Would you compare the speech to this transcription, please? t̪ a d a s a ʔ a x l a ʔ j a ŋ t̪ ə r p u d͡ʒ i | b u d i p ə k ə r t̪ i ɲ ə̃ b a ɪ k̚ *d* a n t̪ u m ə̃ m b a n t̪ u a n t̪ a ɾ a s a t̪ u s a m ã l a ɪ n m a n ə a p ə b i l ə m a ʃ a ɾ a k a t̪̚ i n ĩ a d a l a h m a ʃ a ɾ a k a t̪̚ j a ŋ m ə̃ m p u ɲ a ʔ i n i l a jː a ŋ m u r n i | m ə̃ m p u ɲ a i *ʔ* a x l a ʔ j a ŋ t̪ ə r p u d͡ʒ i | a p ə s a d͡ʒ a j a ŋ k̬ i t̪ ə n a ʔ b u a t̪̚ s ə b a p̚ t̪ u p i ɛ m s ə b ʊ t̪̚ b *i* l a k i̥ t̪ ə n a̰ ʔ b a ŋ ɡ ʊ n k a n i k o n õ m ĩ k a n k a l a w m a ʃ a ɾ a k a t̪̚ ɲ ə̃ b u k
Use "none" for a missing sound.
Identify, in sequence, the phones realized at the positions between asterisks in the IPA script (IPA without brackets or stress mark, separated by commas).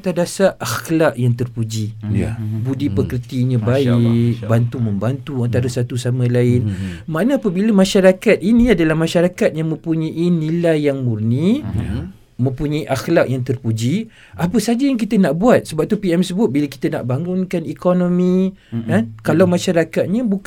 b, ʔ, i